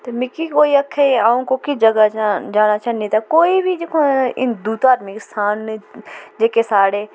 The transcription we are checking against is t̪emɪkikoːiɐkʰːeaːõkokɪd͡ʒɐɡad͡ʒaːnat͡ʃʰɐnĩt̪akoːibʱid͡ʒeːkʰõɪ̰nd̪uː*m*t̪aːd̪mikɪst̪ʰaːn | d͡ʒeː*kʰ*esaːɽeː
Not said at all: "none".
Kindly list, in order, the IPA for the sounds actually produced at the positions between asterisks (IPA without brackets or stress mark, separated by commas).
none, k